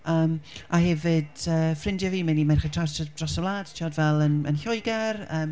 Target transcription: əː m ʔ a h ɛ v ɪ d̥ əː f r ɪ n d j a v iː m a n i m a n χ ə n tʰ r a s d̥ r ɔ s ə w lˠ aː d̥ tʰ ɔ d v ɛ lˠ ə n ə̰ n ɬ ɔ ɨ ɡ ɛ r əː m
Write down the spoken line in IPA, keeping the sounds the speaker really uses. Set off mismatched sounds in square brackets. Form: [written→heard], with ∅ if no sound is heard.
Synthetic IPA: əː m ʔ a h ɛ v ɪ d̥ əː f r ɪ n d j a v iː m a n i m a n χ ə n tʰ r a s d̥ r ɔ s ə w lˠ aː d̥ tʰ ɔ d v ɛ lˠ ə n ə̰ n ɬ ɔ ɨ ɡ ɛ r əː m